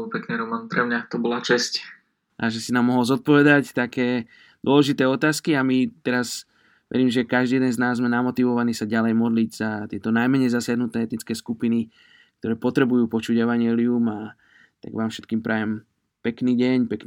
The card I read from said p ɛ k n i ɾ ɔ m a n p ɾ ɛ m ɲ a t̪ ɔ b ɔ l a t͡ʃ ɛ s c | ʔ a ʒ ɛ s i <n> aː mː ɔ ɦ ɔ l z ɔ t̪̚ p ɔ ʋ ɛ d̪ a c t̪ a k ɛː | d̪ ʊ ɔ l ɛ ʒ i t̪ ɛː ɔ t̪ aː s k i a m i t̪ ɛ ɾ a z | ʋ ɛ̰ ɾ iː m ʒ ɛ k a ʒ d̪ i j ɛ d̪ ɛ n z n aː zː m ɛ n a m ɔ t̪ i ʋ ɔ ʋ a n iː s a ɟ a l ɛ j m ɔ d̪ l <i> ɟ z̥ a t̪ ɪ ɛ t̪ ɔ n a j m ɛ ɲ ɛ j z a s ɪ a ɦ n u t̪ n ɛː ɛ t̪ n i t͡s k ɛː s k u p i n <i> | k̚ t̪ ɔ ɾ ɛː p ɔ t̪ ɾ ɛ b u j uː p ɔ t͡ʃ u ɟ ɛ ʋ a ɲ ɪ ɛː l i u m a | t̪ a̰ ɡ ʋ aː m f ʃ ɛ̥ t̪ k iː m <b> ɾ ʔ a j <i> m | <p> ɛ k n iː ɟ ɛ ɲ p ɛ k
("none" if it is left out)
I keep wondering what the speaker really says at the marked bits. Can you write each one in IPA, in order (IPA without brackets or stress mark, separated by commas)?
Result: n, i, i, p, ɛ, p